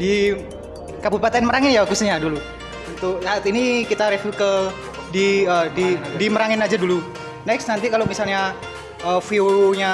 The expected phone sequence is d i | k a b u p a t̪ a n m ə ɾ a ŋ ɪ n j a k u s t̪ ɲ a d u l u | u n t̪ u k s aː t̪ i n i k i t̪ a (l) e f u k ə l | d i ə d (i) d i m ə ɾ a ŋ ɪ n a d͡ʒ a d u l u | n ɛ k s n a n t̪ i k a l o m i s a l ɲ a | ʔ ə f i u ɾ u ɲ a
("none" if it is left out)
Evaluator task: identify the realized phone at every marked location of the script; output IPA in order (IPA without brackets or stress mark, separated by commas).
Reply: ɾ, i